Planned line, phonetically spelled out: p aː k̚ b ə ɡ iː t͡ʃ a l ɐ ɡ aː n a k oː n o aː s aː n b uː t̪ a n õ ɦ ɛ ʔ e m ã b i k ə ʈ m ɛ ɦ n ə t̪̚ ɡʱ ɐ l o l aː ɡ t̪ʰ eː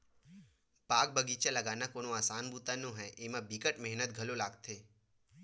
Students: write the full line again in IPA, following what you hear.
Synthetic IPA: p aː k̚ b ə ɡ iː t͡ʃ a l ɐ ɡ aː n a k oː n o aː s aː n b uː t̪ a n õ ɦ ɛ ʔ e m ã b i k ə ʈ m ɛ ɦ n ə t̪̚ ɡʱ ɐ l o l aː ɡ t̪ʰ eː

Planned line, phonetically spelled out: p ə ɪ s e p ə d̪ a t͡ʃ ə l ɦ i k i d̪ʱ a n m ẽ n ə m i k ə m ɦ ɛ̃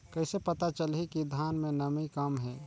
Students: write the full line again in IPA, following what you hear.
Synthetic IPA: k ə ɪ s e p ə t̪ a t͡ʃ ə l ɦ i k i d̪ʱ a n m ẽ n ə m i k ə m ɦ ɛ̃

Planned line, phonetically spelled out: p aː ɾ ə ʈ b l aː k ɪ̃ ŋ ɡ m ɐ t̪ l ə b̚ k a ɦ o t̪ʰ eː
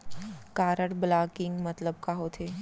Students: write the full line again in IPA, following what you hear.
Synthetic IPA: k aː ɾ ə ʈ b l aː k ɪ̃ ŋ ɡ m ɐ t̪ l ə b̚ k a ɦ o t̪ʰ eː

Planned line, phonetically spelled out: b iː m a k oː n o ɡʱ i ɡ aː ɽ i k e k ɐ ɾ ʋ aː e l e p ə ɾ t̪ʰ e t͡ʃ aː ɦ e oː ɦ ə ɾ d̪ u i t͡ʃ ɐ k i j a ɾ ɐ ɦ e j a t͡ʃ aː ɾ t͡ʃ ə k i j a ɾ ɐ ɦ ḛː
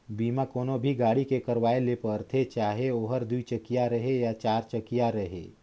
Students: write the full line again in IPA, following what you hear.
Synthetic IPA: b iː m a k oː n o bʱ i ɡ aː ɽ i k e k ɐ ɾ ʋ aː e l e p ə ɾ t̪ʰ e t͡ʃ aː ɦ e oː ɦ ə ɾ d̪ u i t͡ʃ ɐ k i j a ɾ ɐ ɦ e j a t͡ʃ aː ɾ t͡ʃ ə k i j a ɾ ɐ ɦ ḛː

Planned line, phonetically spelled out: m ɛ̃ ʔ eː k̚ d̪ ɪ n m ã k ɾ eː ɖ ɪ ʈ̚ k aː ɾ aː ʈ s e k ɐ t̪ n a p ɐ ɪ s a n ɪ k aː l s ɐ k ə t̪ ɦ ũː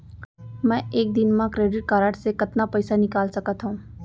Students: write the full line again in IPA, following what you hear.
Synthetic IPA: m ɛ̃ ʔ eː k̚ d̪ ɪ n m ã k ɾ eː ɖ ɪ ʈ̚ k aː ɾ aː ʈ s e k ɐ t̪ n a p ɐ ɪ s a n ɪ k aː l s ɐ k ə t̪ ɦ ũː

